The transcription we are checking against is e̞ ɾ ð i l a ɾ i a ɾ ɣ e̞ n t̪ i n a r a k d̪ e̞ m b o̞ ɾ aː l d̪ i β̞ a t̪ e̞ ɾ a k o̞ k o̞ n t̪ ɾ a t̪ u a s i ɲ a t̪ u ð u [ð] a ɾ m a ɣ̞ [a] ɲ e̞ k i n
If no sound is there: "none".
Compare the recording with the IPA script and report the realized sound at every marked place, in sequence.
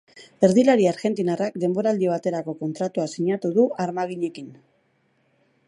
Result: none, i

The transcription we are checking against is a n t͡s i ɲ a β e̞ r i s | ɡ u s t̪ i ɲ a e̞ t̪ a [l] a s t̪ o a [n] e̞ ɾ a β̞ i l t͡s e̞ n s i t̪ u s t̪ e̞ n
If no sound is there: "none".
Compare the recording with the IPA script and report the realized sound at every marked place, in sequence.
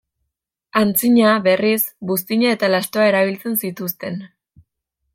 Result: l, none

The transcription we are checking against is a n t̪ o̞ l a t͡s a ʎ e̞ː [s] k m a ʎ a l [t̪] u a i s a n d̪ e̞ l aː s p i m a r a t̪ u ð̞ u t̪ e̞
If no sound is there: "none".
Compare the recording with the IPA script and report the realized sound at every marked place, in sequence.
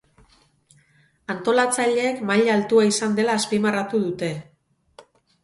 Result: none, t̪

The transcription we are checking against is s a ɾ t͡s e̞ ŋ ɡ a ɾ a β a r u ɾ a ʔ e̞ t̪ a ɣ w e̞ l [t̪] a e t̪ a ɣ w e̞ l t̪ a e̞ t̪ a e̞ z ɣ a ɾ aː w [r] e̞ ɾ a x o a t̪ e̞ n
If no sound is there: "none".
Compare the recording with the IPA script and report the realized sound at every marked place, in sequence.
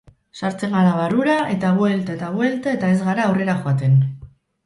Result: t̪, r

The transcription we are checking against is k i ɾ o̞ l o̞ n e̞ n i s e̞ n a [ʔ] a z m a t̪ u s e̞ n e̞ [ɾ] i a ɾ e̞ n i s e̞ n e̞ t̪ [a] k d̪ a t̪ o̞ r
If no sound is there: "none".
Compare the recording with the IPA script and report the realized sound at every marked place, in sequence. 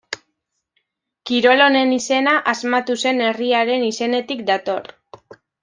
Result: ʔ, r, i

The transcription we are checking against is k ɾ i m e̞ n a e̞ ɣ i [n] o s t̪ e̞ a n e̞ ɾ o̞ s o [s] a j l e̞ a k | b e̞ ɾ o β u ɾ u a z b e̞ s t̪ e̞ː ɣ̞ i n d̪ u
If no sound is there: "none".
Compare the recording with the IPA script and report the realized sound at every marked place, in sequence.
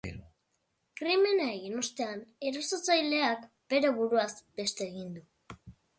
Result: n, t͡s

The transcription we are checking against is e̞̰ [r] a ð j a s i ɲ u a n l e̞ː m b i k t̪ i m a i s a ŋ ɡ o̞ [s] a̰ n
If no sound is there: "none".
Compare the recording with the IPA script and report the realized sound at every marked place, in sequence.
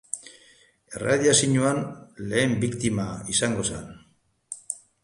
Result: r, s

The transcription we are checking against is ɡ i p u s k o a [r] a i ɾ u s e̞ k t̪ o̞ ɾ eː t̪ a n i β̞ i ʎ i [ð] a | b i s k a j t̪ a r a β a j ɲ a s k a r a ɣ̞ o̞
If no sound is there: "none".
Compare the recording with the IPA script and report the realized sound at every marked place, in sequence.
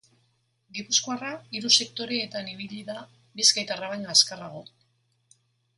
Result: r, ð

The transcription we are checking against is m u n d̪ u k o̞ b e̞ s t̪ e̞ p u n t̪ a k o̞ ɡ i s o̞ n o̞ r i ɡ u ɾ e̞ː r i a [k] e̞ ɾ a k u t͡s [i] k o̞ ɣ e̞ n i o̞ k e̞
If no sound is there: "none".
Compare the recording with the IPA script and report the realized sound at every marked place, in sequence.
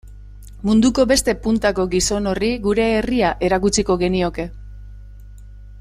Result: ʔ, i

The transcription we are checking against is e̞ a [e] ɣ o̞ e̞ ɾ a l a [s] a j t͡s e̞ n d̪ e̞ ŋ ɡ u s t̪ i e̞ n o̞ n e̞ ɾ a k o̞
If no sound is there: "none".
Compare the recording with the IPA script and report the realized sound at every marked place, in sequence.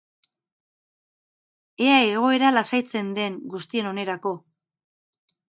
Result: e, s

